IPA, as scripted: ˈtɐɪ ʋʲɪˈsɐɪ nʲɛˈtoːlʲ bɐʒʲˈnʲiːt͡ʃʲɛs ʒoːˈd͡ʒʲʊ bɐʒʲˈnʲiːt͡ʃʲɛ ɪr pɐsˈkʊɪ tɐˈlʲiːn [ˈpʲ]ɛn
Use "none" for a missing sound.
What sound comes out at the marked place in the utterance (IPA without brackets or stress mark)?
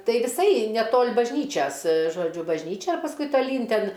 tʲ